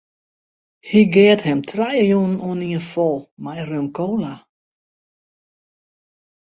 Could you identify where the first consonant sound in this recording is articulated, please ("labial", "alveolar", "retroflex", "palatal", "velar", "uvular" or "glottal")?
glottal